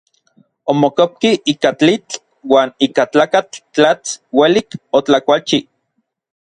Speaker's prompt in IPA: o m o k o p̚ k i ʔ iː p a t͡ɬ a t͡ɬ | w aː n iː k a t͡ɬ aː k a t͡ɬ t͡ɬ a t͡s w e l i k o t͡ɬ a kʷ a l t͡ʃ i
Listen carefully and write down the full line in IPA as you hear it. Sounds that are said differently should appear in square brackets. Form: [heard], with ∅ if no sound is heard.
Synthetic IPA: o m o k o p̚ k i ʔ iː [k] a t͡ɬ [i] t͡ɬ | w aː n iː k a t͡ɬ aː k a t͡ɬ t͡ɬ a t͡s w e l i k o t͡ɬ a kʷ a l t͡ʃ i